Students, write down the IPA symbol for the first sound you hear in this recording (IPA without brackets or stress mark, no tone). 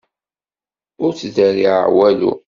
ʊ